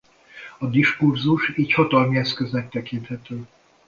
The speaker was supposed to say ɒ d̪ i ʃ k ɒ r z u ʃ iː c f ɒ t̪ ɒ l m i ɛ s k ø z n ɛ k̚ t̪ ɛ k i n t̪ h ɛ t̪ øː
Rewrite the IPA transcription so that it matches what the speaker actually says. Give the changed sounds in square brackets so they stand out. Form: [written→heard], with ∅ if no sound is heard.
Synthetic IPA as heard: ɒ d̪ i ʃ k [ɒ→u] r z u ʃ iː c [f→h] ɒ t̪ ɒ l m i ɛ s k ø z n ɛ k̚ t̪ ɛ k i n t̪ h ɛ t̪ øː

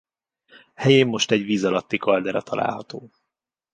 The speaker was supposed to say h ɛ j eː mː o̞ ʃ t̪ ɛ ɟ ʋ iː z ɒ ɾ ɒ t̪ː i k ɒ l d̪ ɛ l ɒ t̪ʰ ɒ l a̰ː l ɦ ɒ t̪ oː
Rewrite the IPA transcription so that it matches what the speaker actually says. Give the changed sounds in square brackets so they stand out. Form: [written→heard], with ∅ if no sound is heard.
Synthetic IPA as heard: h ɛ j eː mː o̞ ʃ t̪ ɛ ɟ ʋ iː z ɒ [ɾ→l] ɒ t̪ː i k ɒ l d̪ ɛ [l→ɾ] ɒ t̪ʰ ɒ l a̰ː l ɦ ɒ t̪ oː

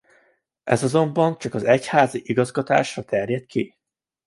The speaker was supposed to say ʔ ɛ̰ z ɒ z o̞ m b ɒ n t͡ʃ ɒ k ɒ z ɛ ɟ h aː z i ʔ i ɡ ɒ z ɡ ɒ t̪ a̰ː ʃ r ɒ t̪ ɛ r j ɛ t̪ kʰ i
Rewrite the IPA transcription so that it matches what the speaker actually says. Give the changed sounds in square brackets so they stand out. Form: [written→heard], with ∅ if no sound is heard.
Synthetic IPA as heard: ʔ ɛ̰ z ɒ z o̞ m b ɒ n t͡ʃ ɒ k ɒ z ɛ [ɟ→c] h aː z i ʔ i ɡ ɒ z ɡ ɒ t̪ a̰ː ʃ r ɒ t̪ ɛ r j ɛ t̪ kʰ i

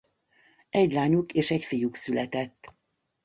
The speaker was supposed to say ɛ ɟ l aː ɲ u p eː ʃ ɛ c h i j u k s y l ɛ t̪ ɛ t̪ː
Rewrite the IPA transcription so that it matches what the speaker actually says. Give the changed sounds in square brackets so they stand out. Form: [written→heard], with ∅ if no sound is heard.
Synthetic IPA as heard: ɛ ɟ l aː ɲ u [p→k] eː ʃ ɛ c [h→f] i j u k s y l ɛ t̪ ɛ t̪ː

